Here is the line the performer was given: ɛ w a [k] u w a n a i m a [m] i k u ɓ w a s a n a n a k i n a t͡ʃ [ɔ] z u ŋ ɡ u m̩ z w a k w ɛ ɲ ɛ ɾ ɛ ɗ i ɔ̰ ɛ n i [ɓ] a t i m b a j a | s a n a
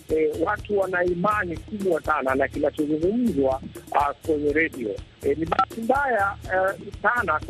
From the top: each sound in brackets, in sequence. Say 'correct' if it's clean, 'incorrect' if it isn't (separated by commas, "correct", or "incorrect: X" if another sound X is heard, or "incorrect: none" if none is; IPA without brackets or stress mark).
incorrect: t, incorrect: n, correct, correct